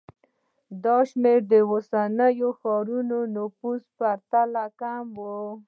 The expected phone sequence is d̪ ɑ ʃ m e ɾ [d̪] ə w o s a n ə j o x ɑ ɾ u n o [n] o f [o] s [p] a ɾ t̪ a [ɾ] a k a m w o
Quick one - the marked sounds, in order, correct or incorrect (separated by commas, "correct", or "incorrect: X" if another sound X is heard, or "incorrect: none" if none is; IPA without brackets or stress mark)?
correct, correct, incorrect: u, correct, incorrect: l